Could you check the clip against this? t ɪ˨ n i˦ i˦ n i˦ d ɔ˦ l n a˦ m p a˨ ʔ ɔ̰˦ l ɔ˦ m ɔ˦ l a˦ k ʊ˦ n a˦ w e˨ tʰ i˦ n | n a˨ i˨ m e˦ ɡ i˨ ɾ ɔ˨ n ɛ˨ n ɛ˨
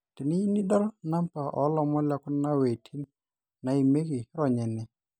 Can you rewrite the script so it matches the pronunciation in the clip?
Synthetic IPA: t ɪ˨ n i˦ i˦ n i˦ d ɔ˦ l n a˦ m p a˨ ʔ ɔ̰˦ l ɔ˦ m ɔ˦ l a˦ k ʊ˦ n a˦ w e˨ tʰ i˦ n | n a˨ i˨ m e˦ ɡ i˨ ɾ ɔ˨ ɲ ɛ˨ n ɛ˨

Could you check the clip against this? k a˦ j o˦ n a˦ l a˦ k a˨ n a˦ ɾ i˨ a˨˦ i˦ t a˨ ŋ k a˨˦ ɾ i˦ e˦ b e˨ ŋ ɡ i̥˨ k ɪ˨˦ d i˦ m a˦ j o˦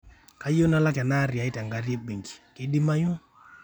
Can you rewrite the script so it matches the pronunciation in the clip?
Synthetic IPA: k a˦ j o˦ n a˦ l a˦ k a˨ n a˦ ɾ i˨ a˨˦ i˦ t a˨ ŋ ɡ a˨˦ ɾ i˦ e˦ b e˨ ŋ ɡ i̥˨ k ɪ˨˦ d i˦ m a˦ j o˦

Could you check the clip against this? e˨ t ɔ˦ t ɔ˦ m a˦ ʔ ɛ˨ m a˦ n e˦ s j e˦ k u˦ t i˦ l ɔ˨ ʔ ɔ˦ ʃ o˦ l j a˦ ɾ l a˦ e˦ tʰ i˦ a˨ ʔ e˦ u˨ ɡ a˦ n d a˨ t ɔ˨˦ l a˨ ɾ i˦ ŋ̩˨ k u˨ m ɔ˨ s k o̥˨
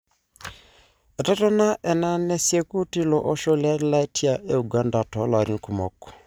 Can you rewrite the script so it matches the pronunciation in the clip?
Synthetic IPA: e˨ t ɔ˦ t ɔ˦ n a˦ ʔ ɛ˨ n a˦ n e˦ s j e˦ k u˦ t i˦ l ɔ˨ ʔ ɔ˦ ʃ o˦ l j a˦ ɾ l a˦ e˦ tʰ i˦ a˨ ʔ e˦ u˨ ɡ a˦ n d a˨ t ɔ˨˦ l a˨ ɾ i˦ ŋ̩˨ k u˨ m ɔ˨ k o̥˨

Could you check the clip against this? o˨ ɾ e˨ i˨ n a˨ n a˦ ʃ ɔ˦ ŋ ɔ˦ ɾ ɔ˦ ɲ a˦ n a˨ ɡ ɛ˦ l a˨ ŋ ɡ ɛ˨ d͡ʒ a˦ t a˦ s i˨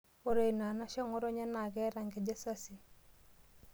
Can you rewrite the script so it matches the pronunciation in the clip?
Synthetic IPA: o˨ ɾ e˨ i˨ n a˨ n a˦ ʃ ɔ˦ ŋ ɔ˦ ɾ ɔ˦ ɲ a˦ n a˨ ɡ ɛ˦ ɾ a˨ ŋ ɡ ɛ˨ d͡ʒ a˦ s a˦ s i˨

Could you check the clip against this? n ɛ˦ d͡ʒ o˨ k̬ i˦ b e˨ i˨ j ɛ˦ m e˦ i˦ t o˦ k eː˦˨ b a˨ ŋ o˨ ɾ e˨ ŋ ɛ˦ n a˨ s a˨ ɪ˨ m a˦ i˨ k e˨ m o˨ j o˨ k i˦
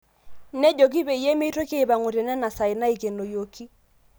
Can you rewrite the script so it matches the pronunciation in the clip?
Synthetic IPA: n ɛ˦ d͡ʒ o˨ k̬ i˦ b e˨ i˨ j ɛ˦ m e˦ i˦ t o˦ k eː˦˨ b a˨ ŋ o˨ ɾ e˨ n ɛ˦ n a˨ s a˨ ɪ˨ n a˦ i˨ k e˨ n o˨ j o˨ k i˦

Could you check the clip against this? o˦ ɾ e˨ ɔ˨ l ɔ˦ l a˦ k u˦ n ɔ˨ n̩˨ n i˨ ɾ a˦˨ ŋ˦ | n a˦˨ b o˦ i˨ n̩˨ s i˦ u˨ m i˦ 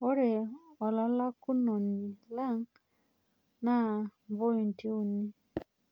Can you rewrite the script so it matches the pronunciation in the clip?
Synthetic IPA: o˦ ɾ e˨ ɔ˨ l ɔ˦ l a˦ k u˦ n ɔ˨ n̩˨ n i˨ l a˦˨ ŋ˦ | n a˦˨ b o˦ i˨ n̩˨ t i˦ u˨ n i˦

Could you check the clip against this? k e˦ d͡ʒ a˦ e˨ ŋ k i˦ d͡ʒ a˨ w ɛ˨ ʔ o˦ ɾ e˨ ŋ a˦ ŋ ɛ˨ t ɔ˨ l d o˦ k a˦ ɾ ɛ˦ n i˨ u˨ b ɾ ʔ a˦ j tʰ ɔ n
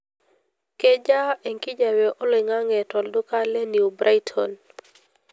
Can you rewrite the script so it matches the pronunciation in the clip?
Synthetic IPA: k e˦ d͡ʒ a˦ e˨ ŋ k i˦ d͡ʒ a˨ w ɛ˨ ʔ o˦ l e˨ ŋ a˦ ŋ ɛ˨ t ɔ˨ l d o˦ k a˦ l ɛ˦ n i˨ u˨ b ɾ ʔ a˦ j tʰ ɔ n

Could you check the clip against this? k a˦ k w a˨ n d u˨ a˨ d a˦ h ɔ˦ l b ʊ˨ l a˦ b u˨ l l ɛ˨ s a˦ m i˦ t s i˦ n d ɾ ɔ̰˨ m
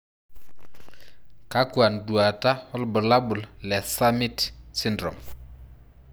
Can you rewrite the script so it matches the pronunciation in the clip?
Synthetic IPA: k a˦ k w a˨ n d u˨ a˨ t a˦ h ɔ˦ l b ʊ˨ l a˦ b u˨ l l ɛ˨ s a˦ m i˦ t s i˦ n d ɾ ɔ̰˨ m

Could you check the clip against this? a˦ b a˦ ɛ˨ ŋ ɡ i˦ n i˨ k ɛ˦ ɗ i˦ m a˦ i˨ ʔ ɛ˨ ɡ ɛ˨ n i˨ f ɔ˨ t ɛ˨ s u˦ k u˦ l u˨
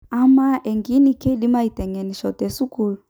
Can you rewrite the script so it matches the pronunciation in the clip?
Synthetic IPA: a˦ m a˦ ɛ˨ ŋ ɡ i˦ n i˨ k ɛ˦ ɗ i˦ m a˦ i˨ t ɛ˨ ŋ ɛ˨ n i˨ ʃ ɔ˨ t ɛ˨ s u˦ k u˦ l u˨

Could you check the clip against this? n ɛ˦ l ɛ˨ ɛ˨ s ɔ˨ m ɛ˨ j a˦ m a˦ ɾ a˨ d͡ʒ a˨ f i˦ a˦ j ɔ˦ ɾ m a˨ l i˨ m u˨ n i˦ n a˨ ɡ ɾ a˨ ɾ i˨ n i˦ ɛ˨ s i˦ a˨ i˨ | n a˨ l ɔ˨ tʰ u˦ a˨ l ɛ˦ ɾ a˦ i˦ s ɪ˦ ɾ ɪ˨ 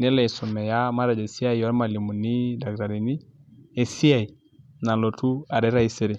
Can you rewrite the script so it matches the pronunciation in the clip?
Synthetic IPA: n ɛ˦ l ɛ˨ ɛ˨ s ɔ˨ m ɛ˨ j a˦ m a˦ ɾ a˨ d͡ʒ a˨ s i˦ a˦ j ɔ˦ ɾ m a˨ l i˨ m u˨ n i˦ d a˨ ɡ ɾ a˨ ɾ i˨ n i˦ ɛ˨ s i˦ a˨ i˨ | n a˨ l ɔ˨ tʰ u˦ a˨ ɾ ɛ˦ ɾ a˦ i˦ s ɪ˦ ɾ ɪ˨

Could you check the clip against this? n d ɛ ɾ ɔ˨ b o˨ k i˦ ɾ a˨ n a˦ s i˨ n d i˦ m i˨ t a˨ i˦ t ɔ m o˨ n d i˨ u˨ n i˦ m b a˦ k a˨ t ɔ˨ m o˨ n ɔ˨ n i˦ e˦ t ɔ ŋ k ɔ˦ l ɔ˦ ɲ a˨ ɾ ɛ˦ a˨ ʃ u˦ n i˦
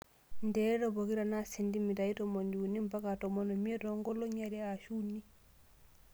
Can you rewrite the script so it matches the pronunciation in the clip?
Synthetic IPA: n d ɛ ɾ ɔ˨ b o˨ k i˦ ɾ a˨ n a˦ s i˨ n d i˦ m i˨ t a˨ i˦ t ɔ m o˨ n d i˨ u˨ n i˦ m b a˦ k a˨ t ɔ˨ m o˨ n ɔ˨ m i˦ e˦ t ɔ ŋ ɡ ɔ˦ l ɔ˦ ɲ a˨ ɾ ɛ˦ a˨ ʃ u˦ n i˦

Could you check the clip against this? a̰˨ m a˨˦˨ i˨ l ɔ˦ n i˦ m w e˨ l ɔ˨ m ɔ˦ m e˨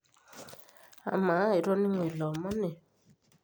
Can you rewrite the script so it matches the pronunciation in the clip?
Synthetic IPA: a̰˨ m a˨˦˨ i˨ ɾ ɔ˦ n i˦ ŋ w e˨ l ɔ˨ m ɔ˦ n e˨

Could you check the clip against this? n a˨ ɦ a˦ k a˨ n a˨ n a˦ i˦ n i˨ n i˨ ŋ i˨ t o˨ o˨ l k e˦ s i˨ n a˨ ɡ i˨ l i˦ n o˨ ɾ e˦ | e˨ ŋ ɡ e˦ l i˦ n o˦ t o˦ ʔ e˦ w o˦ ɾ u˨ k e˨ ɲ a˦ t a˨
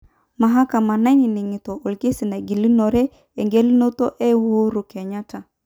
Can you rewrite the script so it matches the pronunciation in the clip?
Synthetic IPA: m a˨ ɦ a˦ k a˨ m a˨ n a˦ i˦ n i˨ n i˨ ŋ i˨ t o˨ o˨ l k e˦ s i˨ n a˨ ɡ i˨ l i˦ n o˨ ɾ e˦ | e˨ ŋ ɡ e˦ l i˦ n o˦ t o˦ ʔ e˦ w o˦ ɾ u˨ k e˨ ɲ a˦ t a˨

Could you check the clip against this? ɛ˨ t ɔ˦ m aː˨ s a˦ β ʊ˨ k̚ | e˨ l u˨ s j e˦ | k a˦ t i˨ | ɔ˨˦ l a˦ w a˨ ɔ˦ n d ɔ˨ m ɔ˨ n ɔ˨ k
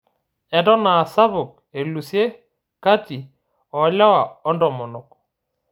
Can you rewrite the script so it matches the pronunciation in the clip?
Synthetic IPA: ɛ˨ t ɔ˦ n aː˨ s a˦ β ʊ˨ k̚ | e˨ l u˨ s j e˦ | k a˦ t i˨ | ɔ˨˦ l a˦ w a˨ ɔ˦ n d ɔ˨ m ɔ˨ n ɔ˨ k

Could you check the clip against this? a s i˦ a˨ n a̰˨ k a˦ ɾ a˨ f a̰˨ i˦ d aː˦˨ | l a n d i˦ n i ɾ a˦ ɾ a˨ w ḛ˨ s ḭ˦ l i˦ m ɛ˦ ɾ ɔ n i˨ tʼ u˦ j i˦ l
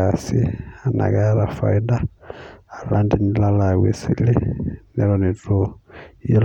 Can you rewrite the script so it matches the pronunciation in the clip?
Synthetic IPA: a s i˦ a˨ n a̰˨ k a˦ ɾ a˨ f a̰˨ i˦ d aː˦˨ | l a n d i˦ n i l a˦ l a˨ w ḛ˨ s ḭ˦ l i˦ n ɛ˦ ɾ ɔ n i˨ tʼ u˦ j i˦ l

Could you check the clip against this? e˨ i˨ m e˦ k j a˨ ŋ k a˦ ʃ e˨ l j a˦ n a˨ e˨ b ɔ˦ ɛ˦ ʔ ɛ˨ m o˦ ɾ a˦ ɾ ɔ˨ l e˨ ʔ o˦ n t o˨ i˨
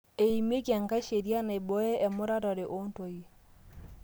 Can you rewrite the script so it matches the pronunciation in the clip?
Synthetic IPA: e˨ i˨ m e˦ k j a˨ ŋ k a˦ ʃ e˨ ɾ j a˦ n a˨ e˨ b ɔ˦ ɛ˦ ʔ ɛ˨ m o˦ ɾ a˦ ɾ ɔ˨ ɾ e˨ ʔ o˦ n t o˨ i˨

